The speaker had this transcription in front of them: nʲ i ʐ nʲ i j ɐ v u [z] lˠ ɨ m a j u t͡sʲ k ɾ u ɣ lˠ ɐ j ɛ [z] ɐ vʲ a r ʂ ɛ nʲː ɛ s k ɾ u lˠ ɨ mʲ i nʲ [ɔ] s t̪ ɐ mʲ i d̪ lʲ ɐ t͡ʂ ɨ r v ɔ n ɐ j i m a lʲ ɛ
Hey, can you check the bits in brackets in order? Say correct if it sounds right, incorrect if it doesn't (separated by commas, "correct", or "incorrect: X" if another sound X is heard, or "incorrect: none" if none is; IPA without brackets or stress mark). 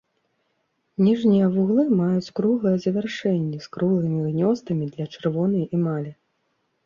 incorrect: ɣ, correct, correct